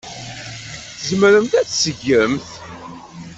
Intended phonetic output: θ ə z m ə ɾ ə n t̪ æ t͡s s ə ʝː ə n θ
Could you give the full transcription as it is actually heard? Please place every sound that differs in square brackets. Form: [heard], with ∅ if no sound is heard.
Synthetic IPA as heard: θ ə z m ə ɾ ə [m] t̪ æ t͡s s ə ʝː ə [m] θ